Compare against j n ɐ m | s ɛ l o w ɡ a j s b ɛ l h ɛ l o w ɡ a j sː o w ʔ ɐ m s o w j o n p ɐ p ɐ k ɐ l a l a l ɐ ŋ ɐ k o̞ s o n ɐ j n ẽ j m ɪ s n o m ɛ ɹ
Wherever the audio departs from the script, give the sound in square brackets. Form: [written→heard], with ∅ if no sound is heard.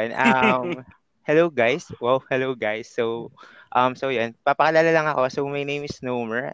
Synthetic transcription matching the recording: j n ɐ m | [s→h] ɛ l o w ɡ a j s [b→w] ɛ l h ɛ l o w ɡ a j sː o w ʔ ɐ m s o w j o n p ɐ p ɐ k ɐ l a l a l ɐ ŋ ɐ k o̞ s o [n→m] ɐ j n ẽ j m ɪ s n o m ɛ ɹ